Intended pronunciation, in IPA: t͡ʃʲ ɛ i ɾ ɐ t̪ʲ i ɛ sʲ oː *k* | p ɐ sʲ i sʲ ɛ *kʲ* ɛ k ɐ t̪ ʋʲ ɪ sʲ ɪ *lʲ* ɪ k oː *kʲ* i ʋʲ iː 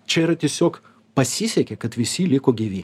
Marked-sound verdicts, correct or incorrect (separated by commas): correct, correct, correct, incorrect